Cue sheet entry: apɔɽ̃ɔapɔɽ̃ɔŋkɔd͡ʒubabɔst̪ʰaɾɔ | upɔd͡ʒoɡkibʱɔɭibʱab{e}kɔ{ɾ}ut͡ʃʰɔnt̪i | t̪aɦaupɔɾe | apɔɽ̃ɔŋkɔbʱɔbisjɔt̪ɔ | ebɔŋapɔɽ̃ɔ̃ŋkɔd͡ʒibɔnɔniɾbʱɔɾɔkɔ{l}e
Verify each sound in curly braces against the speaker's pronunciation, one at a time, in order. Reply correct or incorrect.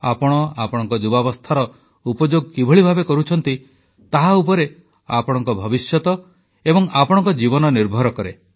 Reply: correct, correct, incorrect: ɾ

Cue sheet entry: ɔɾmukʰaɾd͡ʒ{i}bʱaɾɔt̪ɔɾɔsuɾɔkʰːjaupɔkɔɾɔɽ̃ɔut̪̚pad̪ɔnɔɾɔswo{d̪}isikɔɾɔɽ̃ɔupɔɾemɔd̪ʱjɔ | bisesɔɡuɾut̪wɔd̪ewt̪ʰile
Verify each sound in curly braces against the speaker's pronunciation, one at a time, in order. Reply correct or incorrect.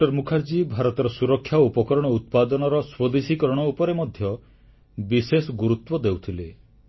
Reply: correct, correct

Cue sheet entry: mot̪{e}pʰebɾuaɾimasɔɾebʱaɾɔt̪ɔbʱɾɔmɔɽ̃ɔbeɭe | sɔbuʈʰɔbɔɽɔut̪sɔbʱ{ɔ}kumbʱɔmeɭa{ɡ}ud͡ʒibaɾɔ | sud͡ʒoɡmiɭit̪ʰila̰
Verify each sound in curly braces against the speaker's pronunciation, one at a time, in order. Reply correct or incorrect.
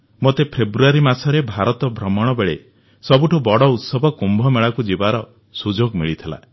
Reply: correct, correct, incorrect: k

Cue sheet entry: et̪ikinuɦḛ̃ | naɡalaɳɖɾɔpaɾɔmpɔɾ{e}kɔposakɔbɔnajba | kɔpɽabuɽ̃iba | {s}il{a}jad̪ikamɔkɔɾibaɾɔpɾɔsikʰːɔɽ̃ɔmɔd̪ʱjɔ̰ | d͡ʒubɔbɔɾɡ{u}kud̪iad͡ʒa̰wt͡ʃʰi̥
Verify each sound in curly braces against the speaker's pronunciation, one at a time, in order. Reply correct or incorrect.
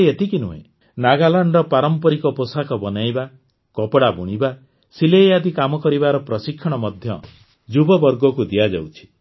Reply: incorrect: i, correct, incorrect: e, incorrect: ɔ

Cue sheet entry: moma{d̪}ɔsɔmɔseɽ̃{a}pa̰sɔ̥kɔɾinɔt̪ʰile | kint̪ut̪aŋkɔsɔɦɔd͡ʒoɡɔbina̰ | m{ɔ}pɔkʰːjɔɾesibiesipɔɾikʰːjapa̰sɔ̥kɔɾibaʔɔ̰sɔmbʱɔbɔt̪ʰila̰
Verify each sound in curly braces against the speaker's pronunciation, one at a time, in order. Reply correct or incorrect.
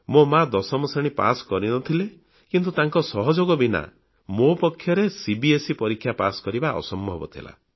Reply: correct, incorrect: i, incorrect: o

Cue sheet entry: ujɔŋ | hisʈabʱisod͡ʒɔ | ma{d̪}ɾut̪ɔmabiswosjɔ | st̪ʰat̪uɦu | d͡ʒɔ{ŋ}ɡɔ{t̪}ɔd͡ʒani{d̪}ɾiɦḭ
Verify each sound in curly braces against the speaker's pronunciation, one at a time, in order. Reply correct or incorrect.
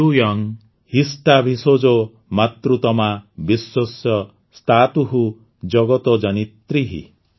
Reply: incorrect: t̪, incorrect: none, correct, incorrect: t̪

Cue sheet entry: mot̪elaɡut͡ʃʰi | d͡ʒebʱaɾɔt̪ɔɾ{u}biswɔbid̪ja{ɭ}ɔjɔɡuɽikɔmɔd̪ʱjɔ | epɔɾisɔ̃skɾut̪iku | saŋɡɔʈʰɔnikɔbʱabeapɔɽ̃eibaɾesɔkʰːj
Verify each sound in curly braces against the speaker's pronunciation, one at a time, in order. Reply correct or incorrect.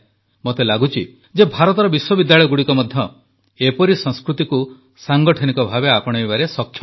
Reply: incorrect: ɔ, correct

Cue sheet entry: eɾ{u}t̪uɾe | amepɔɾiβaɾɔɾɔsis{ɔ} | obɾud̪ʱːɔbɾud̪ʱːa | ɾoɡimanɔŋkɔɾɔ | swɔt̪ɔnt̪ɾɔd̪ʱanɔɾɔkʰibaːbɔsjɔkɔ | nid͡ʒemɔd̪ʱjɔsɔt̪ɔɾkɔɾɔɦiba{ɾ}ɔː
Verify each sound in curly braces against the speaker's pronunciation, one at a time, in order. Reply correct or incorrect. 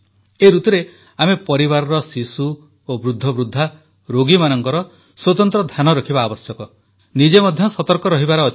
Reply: correct, incorrect: u, correct

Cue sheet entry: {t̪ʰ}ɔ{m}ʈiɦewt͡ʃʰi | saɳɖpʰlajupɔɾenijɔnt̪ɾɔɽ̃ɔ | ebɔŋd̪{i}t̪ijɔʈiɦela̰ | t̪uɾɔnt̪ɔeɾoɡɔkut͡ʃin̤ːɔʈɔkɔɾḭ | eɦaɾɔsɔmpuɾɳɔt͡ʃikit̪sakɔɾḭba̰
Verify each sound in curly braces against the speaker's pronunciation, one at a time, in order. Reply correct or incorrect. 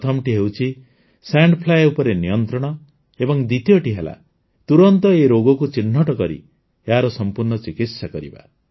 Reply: correct, correct, correct

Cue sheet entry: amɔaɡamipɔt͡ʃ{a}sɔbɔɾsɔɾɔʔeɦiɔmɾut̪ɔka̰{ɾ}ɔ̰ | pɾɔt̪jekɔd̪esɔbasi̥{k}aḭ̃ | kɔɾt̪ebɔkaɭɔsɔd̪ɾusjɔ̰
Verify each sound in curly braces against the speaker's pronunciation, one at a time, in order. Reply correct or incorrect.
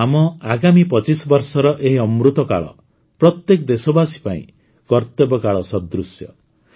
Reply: incorrect: i, incorrect: ɭ, incorrect: p

